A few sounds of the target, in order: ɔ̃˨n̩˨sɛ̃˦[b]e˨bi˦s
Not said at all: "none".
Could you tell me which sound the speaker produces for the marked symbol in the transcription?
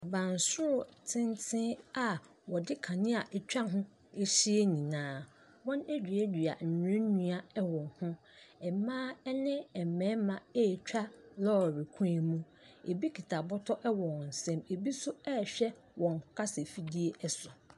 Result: m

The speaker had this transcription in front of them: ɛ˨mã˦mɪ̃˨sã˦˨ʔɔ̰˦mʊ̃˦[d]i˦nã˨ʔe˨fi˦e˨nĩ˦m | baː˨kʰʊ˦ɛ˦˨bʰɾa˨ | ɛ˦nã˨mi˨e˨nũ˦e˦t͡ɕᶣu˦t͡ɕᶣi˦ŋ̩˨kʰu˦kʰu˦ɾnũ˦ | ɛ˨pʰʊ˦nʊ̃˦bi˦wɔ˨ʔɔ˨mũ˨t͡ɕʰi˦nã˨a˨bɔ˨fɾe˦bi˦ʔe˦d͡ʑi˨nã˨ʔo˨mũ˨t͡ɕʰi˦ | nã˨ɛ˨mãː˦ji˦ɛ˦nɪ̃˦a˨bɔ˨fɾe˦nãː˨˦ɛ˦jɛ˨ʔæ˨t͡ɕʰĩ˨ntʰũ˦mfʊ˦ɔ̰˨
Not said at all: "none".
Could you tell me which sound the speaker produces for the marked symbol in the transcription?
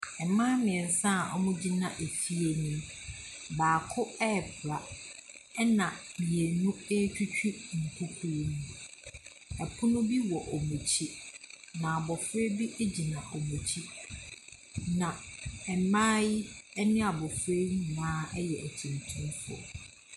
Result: d͡ʑ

